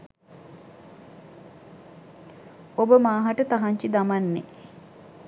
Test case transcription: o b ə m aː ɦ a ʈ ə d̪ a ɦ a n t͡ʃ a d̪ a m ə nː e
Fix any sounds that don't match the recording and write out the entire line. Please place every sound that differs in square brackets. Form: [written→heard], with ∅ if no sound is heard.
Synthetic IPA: o b ə m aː ɦ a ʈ ə [d̪→t̪] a ɦ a [n→ɲ] t͡ʃ [a→i] d̪ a m [ə→a] nː e